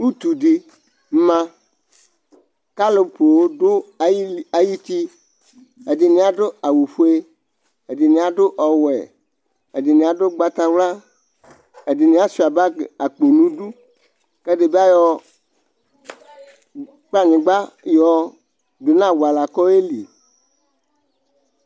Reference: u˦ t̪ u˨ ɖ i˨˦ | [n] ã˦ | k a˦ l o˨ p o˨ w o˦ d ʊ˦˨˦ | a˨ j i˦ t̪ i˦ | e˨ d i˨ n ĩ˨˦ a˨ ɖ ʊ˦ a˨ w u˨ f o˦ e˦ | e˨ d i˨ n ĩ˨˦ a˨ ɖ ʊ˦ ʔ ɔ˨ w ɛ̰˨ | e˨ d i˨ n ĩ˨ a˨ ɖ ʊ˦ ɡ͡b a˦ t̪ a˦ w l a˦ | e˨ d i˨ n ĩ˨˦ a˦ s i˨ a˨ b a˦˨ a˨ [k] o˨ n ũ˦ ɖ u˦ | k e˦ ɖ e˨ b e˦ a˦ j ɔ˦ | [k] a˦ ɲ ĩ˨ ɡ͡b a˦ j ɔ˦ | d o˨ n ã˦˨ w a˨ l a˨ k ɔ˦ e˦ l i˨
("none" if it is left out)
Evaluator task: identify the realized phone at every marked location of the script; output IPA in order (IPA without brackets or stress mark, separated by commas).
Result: m, k͡p, k͡p